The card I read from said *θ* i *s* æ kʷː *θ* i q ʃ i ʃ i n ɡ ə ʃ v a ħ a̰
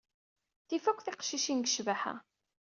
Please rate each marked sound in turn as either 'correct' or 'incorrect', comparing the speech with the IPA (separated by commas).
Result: correct, incorrect, correct